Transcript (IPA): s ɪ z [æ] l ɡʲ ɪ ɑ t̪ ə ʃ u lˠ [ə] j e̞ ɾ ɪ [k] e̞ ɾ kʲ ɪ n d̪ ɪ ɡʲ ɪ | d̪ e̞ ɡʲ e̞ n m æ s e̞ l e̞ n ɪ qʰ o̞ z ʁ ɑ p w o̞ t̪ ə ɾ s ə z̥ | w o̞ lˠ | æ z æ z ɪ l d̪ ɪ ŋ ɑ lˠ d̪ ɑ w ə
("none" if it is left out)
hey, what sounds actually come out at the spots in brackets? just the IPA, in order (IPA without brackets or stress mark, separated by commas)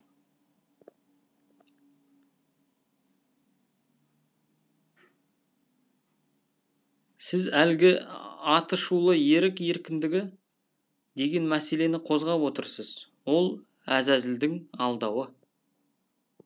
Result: æ, ə, k